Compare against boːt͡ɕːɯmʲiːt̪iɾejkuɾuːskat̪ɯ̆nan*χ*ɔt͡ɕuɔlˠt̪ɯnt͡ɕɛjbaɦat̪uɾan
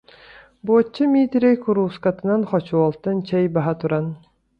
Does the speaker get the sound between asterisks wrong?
no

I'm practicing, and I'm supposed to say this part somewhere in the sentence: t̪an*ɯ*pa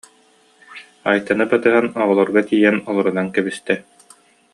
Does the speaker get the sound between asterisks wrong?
no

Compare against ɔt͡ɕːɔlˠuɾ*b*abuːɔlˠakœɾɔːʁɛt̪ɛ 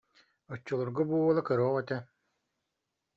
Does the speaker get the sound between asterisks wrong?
yes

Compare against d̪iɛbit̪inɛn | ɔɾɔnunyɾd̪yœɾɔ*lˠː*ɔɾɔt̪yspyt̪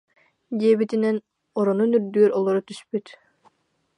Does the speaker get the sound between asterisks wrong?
yes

